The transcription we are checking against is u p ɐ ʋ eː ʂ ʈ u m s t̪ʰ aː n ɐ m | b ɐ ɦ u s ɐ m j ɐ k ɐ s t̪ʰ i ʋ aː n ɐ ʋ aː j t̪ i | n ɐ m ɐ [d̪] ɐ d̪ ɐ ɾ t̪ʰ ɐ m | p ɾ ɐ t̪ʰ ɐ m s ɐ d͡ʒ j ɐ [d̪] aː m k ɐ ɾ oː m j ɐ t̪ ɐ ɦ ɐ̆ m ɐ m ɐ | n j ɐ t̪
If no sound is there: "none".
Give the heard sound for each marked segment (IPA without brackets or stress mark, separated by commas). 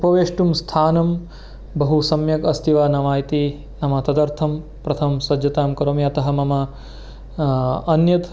t̪, t̪